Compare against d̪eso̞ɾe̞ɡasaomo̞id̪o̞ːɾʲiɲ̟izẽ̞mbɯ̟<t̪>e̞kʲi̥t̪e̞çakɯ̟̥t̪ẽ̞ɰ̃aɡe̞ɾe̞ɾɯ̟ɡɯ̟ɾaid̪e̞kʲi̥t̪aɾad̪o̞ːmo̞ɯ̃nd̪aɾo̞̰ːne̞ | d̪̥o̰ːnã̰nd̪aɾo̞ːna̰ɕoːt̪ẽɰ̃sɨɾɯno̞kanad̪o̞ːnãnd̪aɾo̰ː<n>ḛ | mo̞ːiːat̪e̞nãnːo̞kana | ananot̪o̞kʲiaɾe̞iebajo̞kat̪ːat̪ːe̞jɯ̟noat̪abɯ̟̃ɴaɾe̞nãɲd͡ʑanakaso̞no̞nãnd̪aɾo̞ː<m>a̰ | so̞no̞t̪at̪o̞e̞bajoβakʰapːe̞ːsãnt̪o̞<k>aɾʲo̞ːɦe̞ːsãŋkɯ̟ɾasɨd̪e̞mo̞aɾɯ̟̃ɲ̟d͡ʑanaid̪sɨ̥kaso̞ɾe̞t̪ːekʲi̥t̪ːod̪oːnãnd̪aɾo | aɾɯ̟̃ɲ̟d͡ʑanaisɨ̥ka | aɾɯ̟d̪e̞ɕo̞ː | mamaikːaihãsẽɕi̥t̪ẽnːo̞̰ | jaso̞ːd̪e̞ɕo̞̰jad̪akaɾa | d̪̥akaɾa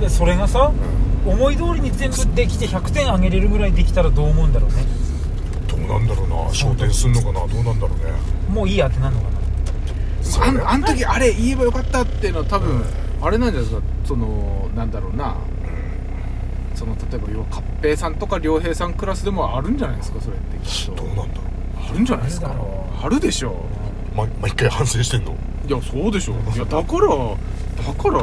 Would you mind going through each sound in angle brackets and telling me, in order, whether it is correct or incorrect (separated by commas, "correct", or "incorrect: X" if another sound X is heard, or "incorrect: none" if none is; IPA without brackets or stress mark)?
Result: incorrect: d̪, correct, incorrect: n, correct